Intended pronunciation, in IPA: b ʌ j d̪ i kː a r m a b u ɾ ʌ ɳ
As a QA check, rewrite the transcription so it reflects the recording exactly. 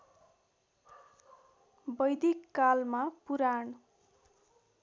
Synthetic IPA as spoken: b ʌ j d̪ i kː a l m a p u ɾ a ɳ